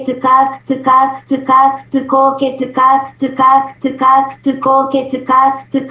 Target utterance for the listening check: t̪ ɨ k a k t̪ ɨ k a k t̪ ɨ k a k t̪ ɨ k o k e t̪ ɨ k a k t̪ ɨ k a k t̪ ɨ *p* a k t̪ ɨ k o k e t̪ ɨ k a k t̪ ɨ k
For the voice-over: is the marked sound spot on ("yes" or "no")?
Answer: no